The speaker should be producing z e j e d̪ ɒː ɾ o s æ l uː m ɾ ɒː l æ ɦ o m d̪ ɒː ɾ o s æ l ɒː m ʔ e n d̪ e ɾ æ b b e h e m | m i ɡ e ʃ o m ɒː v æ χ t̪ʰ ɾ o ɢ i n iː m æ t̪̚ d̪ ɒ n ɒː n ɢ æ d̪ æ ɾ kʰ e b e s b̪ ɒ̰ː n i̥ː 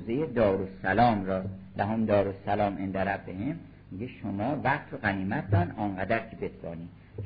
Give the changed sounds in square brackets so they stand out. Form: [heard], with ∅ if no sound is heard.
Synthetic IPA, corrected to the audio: z e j e d̪ ɒː ɾ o s æ l [ɒː] m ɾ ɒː l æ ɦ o m d̪ ɒː ɾ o s æ l ɒː m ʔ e n d̪ [æ] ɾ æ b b e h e m | m i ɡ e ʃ o m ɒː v æ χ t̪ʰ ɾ o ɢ [æ] n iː m æ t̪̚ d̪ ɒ n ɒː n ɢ æ d̪ æ ɾ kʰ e b e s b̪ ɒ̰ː n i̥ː